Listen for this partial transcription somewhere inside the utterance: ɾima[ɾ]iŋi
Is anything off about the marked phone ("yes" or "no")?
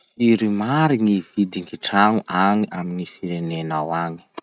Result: no